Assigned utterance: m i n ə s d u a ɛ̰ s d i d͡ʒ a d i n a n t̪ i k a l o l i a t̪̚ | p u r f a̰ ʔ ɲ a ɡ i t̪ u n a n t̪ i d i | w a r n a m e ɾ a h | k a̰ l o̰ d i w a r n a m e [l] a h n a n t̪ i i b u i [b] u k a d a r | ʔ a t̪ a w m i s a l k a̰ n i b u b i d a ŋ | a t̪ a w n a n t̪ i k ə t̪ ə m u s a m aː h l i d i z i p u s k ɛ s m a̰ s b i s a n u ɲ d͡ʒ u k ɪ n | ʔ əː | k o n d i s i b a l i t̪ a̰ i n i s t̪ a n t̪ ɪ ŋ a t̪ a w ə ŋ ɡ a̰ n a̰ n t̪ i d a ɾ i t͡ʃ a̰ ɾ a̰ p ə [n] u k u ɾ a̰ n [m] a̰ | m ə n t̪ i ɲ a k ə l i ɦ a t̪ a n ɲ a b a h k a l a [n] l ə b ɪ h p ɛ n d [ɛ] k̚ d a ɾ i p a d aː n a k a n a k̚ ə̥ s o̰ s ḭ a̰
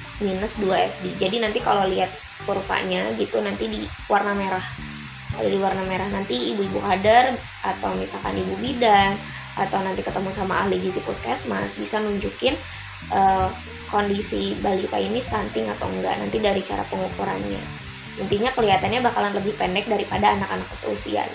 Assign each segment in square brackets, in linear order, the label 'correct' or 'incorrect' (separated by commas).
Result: incorrect, correct, incorrect, incorrect, correct, correct